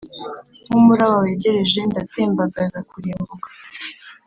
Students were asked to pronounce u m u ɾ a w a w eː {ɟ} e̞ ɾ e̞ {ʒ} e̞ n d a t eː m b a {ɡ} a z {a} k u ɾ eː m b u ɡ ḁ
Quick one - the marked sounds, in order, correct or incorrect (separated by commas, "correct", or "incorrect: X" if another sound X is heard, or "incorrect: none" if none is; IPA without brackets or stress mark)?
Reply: correct, correct, correct, correct